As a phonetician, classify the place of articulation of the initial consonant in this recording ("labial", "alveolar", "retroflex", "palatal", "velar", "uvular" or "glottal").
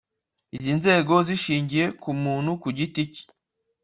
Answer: alveolar